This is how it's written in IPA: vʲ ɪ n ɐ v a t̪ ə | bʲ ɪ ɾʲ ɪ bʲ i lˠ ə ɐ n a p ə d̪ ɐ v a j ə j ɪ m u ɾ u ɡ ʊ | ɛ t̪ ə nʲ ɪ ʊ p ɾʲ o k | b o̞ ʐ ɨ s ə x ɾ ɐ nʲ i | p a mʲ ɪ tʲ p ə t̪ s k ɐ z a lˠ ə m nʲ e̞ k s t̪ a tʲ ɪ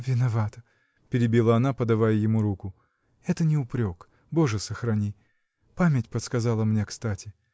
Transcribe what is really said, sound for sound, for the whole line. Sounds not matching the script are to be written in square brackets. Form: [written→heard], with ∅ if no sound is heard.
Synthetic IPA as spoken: vʲ ɪ n ɐ v a t̪ ə | [bʲ→pʲ] ɪ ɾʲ ɪ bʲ i lˠ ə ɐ n a p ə d̪ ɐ v a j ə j ɪ m u ɾ u [ɡ→k] ʊ | ɛ t̪ ə nʲ ɪ ʊ p ɾʲ o k | b o̞ ʐ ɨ s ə x ɾ ɐ nʲ i | p a mʲ ɪ tʲ p ə t̪ s k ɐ z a lˠ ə m nʲ e̞ k s t̪ a tʲ ɪ